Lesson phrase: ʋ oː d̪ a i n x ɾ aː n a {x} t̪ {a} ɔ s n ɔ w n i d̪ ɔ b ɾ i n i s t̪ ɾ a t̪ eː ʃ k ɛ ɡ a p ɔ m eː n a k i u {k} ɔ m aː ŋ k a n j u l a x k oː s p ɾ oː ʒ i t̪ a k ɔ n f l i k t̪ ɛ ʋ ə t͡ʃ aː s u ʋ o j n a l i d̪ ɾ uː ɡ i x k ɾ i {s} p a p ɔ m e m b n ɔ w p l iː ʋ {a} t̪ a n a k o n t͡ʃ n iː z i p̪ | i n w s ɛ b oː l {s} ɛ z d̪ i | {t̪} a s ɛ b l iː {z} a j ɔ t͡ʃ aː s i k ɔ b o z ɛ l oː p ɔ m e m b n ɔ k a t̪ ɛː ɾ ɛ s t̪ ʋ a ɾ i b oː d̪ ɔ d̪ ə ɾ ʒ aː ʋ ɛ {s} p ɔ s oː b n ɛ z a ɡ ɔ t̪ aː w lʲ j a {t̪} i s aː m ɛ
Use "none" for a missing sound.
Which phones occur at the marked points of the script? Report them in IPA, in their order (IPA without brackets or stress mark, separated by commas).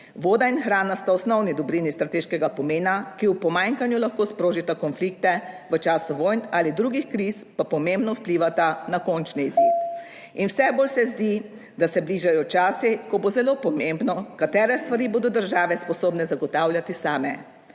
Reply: s, a, p, s, a, s, d̪, ʒ, s, t̪